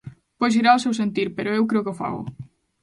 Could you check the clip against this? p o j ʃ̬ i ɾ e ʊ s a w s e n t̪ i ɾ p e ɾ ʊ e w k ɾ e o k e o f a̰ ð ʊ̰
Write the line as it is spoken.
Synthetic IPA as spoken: p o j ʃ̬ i ɾ a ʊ s e w s e n t̪ i ɾ p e ɾ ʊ e w k ɾ e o k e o f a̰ ɣ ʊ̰